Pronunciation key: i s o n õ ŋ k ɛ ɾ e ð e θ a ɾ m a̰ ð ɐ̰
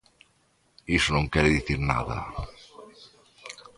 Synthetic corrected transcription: i s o n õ ŋ k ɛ ɾ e ð i θ i ɾ n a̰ ð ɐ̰